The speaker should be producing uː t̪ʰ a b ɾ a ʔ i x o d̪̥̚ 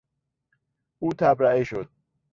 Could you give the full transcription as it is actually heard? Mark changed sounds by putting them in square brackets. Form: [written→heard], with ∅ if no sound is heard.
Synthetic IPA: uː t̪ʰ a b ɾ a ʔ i [x→ʃ] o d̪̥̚

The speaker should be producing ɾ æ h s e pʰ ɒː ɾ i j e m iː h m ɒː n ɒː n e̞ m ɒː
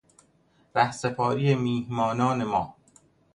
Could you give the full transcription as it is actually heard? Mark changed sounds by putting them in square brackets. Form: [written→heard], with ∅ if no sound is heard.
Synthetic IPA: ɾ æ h s e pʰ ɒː ɾ i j e m iː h m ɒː n ɒː n e̞ m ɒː

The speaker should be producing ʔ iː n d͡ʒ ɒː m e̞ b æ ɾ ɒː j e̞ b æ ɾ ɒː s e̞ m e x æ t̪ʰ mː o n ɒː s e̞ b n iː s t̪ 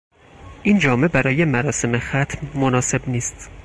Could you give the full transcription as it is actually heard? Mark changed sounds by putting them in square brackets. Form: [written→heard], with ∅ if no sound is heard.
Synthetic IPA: ʔ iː n d͡ʒ ɒː m e̞ b æ ɾ ɒː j e̞ [b→m] æ ɾ ɒː s e̞ m e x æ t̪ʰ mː o n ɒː s e̞ b n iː s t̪

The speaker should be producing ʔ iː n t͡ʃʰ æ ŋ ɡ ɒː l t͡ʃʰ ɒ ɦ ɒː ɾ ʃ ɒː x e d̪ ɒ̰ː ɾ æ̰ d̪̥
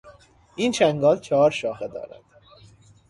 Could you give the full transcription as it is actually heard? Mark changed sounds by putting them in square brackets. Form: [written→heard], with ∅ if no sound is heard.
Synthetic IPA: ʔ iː n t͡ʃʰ æ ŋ ɡ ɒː l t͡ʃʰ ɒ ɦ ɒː ɾ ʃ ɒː x e d̪ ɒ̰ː ɾ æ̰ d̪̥

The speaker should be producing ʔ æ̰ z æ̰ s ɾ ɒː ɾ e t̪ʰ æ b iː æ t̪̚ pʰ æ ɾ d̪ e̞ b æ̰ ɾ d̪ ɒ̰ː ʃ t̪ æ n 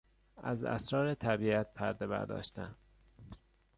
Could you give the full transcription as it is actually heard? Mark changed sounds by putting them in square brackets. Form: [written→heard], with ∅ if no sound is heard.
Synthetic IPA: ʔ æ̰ z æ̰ s ɾ ɒː ɾ e t̪ʰ æ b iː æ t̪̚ pʰ æ ɾ d̪ e̞ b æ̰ ɾ d̪ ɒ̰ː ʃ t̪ æ n

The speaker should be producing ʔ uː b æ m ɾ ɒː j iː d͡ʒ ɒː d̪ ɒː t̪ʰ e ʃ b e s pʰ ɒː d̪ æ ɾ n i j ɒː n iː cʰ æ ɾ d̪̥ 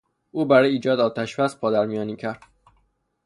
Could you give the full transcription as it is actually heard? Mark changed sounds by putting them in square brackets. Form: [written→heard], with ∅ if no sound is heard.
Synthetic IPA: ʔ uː b æ [m→∅] ɾ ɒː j iː d͡ʒ ɒː d̪ ɒː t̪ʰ [e→æ] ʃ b [e→æ] s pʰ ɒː d̪ æ ɾ [n→m] i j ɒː n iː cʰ æ ɾ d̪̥

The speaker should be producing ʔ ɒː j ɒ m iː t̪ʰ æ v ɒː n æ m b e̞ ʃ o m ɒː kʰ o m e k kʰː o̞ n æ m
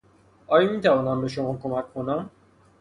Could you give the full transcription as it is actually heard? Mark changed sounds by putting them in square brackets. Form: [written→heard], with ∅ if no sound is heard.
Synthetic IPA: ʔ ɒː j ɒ m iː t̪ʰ æ v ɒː n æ m b e̞ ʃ o m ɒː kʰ o m [e→æ] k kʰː o̞ n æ m

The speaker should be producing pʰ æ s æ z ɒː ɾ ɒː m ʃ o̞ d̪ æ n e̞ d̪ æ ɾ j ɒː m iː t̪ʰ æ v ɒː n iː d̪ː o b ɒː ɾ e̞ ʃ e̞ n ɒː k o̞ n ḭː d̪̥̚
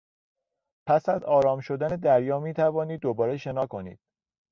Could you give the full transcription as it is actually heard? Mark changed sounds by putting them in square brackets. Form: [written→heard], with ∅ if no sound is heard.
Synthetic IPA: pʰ æ s æ z ɒː ɾ ɒː m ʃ o̞ d̪ æ n e̞ d̪ æ ɾ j ɒː m iː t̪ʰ æ v ɒː n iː d̪ː o b ɒː ɾ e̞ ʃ e̞ n ɒː k o̞ n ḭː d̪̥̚

